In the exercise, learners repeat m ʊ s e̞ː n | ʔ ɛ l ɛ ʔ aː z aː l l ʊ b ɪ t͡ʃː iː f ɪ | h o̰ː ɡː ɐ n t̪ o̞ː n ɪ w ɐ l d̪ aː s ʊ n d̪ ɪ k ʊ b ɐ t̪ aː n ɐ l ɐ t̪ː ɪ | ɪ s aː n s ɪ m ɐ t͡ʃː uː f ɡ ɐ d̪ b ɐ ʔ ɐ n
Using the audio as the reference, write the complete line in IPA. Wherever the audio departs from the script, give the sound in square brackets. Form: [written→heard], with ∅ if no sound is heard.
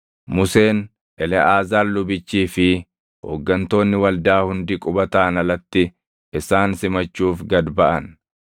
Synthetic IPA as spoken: m ʊ s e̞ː n | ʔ ɛ l ɛ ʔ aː z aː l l ʊ b ɪ t͡ʃː iː f ɪ | h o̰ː ɡː ɐ n t̪ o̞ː [n→nː] ɪ w ɐ l d̪ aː [s→h] ʊ n d̪ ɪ [k→kʼ] ʊ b ɐ t̪ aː n ɐ l ɐ t̪ː ɪ | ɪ s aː n s ɪ m ɐ t͡ʃː uː f ɡ ɐ d̪ b ɐ ʔ ɐ n